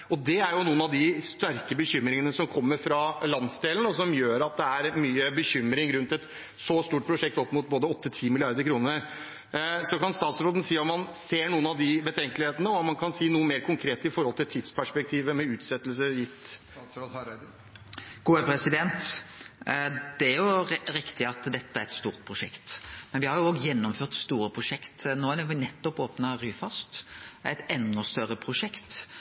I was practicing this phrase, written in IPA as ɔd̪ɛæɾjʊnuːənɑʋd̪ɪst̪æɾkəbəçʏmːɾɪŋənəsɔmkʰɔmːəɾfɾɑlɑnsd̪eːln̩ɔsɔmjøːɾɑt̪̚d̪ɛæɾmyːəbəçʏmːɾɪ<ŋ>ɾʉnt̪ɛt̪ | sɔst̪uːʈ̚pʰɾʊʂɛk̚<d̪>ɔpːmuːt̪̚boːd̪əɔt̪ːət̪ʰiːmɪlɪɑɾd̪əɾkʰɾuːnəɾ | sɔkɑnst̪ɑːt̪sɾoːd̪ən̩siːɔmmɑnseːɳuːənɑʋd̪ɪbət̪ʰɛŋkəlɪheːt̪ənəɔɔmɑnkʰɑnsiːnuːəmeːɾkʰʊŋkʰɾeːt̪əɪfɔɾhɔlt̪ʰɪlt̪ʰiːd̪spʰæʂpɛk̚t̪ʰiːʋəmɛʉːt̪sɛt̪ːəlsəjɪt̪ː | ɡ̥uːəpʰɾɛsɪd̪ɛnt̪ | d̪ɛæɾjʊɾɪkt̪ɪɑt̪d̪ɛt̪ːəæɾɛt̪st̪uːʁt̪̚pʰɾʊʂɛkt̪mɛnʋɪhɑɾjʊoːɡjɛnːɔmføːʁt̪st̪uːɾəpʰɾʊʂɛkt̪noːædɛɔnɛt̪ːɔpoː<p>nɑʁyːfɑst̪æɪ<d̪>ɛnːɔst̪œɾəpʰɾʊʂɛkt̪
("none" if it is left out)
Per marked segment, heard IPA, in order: ŋ, t̪, p, t̪

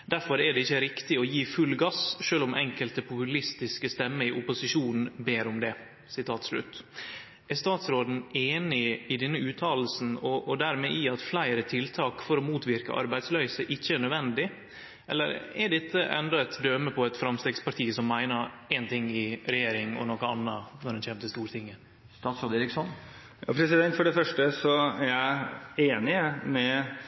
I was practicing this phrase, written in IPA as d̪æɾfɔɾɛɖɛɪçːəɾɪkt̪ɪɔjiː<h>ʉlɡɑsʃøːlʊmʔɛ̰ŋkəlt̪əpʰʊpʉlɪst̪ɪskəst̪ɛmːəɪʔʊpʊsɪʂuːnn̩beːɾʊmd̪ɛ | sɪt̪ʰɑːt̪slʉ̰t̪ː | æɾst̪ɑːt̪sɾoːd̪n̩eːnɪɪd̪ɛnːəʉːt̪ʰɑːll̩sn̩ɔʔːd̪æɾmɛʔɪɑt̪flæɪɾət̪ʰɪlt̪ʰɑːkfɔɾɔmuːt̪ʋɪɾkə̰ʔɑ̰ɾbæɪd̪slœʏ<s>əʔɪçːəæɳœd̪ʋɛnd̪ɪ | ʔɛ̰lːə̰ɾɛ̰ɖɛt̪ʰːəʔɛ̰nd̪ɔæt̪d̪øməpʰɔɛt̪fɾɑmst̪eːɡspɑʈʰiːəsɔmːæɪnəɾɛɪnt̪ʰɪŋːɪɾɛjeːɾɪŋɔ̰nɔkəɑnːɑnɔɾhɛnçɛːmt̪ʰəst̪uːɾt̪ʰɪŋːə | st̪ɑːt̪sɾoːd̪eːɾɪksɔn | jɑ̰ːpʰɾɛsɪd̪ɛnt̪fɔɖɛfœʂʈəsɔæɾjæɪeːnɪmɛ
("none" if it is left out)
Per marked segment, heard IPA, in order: f, s

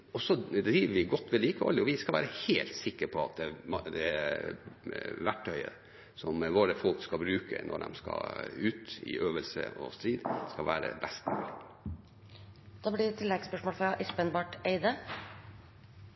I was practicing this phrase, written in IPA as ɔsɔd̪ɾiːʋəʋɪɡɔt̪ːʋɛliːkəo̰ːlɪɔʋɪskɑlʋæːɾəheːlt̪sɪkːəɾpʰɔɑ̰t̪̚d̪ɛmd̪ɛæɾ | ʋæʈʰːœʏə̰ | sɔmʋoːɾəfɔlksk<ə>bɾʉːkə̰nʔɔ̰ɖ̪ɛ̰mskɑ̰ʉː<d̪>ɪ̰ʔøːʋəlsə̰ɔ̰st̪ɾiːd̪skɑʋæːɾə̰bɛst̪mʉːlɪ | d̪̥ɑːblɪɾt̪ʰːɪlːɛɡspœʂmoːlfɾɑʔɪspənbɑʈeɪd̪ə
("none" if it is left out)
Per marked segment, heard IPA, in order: ɑ, t̪

